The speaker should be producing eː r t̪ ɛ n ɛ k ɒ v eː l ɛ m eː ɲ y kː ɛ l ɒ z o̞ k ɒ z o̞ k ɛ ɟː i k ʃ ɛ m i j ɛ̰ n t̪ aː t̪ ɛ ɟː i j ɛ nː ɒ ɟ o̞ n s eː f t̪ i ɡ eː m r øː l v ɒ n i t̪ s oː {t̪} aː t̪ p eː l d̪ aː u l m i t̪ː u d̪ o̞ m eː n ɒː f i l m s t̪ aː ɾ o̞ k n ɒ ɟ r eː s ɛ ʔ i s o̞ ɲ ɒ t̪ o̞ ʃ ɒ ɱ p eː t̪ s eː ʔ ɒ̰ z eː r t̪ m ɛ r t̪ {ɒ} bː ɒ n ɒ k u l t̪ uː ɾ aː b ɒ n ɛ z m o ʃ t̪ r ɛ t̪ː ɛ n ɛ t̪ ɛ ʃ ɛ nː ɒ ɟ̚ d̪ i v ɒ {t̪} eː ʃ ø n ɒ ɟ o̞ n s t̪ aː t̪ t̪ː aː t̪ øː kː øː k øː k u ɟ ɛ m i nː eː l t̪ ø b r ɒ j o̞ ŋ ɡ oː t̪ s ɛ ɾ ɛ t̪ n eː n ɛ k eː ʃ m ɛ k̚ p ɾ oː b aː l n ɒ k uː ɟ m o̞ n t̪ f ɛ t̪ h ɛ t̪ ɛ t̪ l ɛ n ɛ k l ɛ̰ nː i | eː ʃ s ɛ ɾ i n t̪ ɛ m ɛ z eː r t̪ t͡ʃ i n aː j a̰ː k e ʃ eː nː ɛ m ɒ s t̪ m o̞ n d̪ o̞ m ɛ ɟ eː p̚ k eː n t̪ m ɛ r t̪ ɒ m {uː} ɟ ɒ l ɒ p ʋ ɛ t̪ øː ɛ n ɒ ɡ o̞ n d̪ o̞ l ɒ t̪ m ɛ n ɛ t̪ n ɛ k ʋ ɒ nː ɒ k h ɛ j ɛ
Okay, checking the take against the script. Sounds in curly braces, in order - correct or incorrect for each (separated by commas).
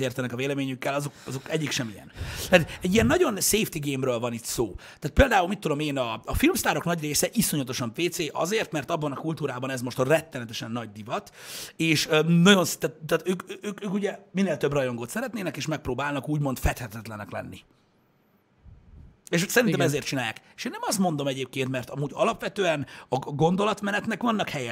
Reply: correct, correct, correct, correct